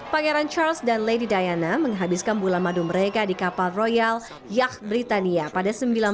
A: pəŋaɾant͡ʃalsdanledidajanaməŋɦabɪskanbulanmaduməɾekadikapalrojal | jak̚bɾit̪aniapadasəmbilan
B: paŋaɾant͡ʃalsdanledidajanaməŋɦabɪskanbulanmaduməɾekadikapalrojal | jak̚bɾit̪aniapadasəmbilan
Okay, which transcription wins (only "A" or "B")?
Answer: B